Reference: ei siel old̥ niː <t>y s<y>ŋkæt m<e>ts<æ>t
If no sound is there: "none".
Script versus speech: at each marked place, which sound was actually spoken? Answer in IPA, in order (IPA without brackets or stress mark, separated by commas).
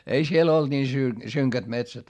s, y, e, æ